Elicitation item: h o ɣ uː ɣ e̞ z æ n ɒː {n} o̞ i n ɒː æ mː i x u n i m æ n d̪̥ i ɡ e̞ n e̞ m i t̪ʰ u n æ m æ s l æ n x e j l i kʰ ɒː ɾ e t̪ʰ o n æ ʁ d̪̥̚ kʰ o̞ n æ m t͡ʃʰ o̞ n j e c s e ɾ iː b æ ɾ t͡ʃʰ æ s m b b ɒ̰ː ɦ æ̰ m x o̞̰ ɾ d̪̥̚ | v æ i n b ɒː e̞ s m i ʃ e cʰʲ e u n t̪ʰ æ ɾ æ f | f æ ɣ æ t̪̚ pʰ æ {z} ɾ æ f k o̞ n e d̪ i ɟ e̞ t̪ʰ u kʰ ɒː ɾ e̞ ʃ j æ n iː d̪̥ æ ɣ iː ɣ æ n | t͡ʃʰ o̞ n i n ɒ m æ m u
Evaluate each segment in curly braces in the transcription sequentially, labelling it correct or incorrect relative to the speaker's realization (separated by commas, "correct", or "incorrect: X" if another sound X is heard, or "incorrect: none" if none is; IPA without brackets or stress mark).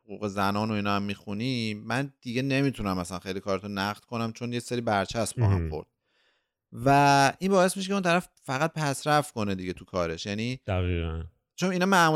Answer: correct, incorrect: s